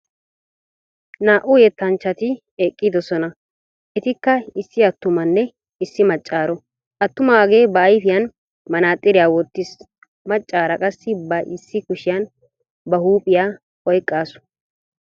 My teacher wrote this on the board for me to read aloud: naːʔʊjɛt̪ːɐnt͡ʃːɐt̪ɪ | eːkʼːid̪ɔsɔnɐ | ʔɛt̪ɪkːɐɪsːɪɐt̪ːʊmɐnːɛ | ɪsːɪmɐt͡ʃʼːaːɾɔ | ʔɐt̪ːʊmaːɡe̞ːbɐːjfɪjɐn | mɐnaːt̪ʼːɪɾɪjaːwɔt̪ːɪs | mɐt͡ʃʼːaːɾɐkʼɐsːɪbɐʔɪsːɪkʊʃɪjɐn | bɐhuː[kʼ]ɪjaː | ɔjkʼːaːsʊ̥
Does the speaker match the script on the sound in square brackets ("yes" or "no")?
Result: no